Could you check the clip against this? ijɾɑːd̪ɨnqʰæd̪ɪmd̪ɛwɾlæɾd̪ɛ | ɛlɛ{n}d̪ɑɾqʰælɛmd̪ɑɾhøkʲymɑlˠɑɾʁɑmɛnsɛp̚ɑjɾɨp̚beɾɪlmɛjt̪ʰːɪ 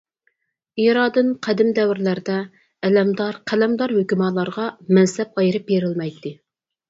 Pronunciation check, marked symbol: incorrect: m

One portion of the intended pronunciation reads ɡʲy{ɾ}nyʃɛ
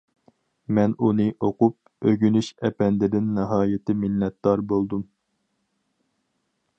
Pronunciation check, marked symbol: incorrect: none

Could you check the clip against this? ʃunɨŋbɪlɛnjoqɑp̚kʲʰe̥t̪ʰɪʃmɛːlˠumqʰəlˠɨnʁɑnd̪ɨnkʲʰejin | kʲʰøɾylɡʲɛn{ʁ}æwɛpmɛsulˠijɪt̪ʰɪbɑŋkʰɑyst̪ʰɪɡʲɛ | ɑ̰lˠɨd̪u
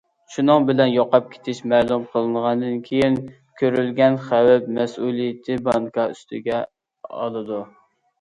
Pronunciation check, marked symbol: incorrect: χ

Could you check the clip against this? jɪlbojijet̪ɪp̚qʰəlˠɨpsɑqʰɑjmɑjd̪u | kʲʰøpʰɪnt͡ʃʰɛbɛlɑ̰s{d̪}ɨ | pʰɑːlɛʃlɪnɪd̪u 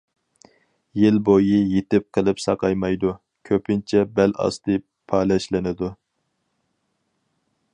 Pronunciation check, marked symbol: incorrect: t̪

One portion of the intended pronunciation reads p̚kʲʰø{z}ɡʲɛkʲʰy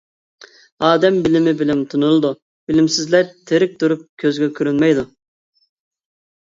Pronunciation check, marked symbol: correct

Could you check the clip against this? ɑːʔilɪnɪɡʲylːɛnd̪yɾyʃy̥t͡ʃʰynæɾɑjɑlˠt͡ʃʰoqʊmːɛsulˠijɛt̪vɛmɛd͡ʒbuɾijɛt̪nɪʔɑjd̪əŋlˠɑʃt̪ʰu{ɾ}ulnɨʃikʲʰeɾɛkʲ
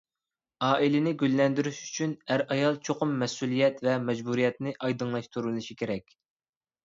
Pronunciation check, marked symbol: correct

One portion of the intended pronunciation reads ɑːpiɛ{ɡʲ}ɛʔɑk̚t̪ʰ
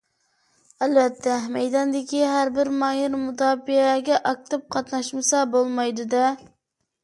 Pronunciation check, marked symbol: correct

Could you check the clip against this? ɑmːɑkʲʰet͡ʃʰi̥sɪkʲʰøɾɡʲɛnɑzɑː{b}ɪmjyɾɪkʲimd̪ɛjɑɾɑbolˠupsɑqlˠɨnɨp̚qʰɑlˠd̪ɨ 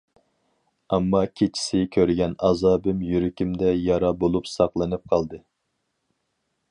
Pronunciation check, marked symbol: correct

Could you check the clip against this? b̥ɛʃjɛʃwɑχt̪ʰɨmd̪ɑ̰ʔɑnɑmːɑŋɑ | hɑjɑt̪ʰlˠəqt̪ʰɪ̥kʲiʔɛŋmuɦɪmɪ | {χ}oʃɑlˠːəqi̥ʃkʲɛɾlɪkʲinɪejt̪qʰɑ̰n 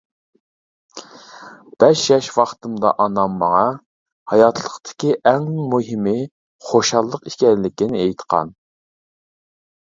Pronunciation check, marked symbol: correct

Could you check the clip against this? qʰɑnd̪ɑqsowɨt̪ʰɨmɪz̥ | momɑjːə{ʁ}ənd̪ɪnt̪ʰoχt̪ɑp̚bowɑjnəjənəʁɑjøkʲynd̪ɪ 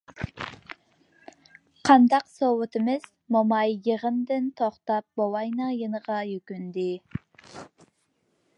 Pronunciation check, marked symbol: correct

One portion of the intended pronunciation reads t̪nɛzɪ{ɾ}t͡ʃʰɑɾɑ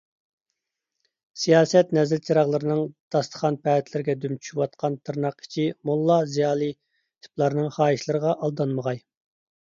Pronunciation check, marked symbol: incorrect: l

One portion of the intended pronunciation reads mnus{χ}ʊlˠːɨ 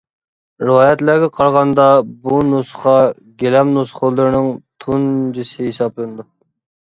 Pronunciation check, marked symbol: correct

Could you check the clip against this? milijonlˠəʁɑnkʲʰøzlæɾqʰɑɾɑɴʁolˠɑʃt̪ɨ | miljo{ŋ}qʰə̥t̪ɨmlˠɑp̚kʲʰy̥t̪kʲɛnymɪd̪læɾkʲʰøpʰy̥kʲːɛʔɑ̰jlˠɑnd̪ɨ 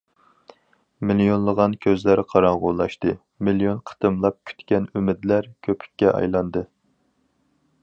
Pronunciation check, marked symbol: incorrect: n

